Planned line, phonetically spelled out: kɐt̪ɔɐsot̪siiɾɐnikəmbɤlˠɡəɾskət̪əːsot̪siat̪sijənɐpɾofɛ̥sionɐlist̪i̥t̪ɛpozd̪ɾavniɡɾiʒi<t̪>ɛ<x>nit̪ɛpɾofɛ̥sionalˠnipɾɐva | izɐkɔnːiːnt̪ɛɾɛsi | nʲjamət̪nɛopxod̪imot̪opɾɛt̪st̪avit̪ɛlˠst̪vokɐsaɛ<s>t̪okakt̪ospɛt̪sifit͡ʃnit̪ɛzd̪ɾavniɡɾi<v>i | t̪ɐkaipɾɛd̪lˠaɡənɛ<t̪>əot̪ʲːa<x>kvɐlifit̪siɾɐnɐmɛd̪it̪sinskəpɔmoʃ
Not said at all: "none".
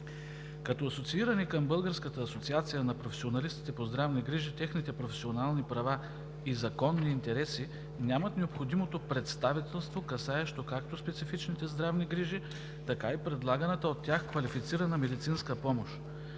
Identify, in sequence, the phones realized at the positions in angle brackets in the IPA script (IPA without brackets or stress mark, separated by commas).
t̪, x, ʃ, ʒ, t̪, x